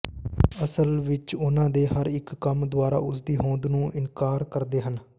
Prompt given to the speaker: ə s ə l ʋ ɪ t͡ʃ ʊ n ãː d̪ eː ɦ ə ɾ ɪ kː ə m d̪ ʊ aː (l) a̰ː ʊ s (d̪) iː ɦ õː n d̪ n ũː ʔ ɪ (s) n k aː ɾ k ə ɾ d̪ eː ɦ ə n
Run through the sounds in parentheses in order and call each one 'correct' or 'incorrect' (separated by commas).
incorrect, correct, incorrect